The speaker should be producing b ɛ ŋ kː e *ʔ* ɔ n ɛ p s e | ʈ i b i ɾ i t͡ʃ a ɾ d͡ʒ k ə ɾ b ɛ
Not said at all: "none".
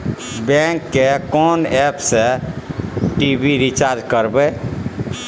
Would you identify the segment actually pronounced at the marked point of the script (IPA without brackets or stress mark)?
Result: k